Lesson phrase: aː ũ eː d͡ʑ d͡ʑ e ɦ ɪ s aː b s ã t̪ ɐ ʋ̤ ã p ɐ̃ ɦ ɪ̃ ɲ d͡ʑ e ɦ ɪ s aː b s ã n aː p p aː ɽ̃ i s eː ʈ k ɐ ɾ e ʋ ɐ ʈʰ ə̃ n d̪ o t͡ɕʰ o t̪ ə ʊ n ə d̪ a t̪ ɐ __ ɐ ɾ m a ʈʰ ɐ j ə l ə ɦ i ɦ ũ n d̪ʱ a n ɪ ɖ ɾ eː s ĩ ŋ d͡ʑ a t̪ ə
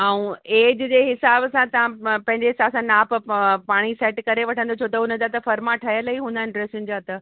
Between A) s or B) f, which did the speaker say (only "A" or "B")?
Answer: B